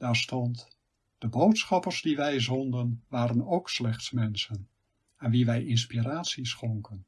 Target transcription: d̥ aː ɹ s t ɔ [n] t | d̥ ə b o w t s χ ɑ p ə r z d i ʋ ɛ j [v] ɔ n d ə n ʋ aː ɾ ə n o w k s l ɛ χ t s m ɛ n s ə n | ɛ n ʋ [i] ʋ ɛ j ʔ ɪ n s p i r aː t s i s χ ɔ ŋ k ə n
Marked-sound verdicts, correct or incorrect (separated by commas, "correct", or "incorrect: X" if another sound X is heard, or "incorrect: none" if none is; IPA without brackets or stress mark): correct, incorrect: z, correct